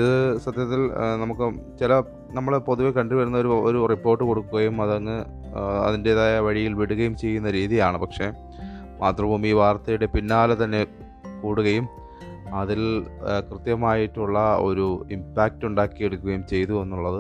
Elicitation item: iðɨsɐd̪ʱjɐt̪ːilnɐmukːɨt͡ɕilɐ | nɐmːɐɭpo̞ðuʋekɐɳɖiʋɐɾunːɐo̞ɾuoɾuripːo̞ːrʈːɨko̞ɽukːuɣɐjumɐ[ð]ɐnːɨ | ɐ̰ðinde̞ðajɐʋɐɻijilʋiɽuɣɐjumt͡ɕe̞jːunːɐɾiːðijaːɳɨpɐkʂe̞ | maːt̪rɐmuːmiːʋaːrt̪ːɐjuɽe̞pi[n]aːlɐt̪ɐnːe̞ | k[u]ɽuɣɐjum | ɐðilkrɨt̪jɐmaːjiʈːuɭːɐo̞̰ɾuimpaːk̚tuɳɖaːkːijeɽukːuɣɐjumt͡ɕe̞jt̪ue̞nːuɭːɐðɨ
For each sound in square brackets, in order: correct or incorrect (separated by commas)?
correct, incorrect, incorrect